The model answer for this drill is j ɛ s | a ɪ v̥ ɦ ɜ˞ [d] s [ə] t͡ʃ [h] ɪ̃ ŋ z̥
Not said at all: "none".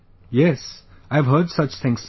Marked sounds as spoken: d, ʌ, θ

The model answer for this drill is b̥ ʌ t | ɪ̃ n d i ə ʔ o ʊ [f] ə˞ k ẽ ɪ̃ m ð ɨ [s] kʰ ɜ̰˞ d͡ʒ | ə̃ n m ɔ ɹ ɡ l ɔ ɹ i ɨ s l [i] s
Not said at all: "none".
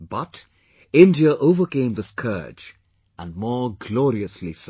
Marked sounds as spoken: v, s, i

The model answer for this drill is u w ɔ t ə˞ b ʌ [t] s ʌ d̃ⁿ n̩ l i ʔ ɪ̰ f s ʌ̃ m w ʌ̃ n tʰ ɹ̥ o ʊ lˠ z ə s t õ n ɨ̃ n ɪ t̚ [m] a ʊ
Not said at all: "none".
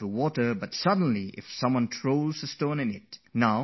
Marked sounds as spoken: t, n

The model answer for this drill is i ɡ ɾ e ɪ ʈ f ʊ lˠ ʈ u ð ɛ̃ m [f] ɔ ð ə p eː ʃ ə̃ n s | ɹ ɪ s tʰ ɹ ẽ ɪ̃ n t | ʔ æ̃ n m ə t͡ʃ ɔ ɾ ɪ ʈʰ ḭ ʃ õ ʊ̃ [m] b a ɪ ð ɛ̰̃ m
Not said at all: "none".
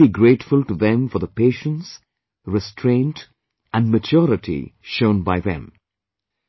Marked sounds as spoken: f, n

